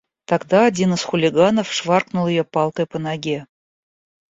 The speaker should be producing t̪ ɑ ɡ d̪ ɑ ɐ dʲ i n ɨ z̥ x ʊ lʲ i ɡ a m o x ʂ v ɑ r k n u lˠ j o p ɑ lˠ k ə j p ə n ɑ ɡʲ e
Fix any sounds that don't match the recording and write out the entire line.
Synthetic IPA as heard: t̪ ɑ ɡ d̪ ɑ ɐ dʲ i n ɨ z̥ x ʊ lʲ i ɡ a n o f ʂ v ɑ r k n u lˠ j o p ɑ lˠ k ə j p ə n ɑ ɡʲ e